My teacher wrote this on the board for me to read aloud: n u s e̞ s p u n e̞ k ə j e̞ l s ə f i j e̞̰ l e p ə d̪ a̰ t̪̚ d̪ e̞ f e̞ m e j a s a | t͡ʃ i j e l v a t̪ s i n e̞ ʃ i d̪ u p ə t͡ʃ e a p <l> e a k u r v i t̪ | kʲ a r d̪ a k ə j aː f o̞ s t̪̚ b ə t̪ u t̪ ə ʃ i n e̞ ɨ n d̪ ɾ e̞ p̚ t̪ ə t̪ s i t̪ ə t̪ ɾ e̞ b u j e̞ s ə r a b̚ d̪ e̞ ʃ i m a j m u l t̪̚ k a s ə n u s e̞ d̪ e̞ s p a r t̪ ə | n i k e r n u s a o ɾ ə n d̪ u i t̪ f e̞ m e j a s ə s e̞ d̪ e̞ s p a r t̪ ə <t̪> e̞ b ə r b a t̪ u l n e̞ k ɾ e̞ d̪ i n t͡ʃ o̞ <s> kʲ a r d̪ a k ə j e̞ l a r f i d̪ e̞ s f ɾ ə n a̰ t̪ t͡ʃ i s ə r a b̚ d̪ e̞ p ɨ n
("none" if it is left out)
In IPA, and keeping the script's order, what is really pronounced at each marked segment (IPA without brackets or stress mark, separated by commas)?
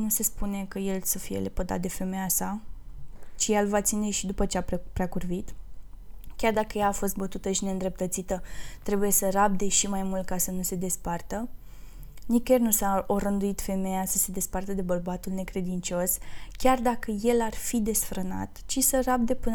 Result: ɾ, d̪, s